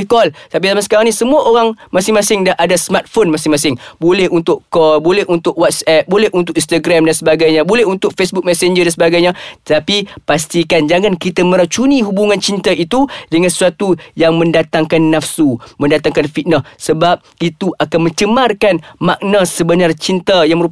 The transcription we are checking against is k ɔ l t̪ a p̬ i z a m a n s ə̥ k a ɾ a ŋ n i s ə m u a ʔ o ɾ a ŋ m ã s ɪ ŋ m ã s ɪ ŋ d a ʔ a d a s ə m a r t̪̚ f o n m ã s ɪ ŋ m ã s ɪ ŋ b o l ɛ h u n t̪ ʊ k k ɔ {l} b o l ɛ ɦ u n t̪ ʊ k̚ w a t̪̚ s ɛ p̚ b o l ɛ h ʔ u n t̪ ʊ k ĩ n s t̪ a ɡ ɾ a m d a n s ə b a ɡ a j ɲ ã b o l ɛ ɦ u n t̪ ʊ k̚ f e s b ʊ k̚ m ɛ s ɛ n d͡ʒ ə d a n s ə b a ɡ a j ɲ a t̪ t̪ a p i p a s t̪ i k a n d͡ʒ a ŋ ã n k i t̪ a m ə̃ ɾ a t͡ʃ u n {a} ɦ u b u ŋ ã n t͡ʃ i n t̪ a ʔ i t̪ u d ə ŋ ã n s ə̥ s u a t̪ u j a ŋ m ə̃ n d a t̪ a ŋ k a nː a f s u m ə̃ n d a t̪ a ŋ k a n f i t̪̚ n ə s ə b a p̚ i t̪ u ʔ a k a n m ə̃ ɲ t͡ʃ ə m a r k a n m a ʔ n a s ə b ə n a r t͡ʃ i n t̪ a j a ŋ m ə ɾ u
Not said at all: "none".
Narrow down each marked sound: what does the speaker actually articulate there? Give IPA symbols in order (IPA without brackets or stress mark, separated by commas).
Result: l, i